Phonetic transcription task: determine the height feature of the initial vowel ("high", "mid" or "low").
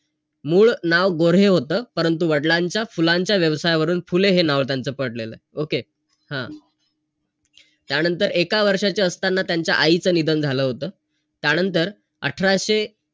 high